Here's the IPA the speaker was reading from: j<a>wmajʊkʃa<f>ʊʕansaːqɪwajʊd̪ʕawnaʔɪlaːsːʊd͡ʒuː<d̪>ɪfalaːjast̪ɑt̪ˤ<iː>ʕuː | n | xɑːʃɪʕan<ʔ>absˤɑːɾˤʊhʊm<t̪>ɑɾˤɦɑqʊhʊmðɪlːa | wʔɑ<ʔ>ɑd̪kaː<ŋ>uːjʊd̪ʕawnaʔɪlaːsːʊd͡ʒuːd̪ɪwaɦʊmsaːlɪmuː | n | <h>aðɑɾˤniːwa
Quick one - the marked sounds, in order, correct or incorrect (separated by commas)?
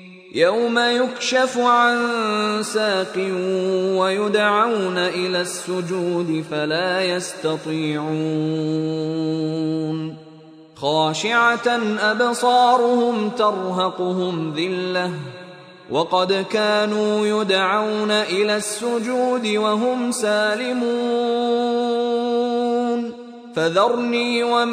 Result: correct, correct, correct, correct, correct, correct, incorrect, incorrect, incorrect